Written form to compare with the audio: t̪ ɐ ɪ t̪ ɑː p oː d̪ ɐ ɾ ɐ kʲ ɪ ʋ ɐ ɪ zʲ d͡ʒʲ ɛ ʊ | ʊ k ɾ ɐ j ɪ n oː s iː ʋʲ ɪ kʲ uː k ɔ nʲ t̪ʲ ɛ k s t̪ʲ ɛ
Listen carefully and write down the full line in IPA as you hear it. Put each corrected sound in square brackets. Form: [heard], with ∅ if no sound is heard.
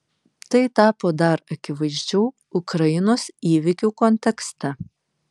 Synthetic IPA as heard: t̪ ɐ ɪ t̪ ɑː p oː d̪ ɐ ɾ ɐ kʲ ɪ ʋ ɐ ɪ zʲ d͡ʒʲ ɛ ʊ | ʊ k ɾ ɐ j ɪ n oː s iː ʋʲ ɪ kʲ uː k ɔ nʲ t̪ʲ ɛ k s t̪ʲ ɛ

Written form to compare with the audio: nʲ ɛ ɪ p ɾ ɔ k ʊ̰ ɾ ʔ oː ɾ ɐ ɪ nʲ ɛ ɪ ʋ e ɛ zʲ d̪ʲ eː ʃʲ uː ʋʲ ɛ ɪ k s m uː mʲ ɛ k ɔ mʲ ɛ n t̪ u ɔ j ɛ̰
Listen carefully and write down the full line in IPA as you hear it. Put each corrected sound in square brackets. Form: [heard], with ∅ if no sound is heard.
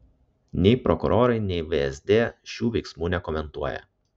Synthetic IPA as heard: nʲ ɛ ɪ p ɾ ɔ k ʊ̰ ɾ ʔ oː ɾ ɐ ɪ nʲ ɛ ɪ ʋ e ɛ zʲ d̪ʲ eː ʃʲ uː ʋʲ ɛ ɪ k s m uː [nʲ] ɛ k ɔ mʲ ɛ n t̪ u ɔ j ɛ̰

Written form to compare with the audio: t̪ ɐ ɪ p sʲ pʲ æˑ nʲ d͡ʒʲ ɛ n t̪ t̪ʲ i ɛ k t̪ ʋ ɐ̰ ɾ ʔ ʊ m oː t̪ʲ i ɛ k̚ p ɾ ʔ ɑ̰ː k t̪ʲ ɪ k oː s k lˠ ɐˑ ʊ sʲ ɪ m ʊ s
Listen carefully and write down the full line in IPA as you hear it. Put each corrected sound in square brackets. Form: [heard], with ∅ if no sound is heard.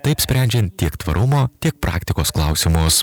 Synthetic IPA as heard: t̪ ɐ ɪ p sʲ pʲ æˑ nʲ d͡ʒʲ ɛ n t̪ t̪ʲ i ɛ k t̪ ʋ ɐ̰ ɾ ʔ ʊ m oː t̪ʲ i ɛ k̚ p ɾ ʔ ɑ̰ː k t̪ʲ ɪ k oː s k lˠ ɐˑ ʊ sʲ ɪ m ʊ s

